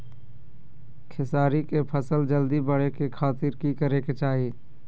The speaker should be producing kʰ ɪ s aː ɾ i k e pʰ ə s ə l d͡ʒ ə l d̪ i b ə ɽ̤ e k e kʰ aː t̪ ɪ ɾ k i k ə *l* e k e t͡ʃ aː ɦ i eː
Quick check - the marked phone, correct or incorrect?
incorrect